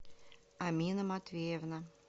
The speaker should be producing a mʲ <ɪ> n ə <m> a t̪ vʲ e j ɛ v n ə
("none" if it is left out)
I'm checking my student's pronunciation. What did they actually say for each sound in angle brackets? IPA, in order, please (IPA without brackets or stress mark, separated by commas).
i, m